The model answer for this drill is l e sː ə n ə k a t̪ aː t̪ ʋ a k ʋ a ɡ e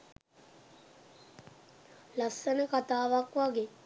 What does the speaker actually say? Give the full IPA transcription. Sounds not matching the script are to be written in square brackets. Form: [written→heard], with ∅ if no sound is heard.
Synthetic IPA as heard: l [e→a] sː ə n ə k a t̪ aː [t̪→∅] ʋ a k ʋ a ɡ e